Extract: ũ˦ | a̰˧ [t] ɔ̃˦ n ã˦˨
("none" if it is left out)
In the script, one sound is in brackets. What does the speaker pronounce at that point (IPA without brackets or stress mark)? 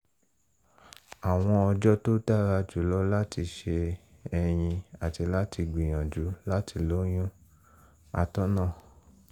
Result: t